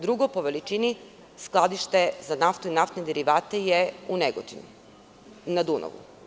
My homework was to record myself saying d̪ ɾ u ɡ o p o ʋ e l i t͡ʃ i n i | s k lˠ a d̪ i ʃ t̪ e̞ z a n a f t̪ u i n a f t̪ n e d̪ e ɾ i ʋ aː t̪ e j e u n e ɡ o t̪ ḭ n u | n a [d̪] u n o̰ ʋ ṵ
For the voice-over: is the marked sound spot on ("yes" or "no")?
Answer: yes